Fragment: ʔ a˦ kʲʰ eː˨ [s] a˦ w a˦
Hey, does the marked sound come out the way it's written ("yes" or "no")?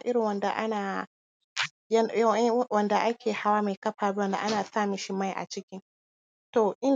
no